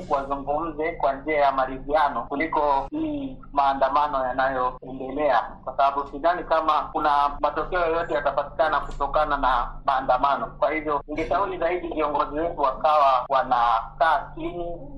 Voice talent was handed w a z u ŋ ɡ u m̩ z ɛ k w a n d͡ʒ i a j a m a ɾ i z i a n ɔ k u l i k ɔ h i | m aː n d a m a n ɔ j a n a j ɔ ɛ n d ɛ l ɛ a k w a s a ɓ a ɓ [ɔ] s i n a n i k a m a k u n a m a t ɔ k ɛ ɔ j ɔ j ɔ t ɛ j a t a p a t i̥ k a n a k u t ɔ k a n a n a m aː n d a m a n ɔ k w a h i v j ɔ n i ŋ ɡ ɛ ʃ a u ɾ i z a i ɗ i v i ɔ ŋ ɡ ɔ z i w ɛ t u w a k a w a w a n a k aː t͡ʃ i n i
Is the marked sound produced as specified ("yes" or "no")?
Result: no